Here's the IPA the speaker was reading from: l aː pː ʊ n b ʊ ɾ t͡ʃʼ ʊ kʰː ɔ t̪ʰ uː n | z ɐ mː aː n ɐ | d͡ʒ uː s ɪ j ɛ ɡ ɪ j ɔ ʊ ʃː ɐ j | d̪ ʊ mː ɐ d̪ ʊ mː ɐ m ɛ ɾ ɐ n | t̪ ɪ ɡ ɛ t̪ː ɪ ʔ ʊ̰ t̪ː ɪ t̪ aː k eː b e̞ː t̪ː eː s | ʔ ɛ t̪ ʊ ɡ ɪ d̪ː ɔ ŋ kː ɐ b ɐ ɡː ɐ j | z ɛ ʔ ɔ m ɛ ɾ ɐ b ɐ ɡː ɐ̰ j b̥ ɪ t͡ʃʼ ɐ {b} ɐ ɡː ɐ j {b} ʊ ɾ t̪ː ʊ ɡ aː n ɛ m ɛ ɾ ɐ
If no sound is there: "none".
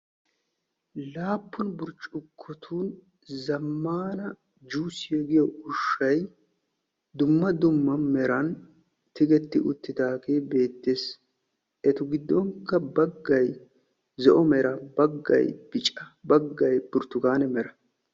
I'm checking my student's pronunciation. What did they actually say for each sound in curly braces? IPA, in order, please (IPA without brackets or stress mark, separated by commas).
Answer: b, b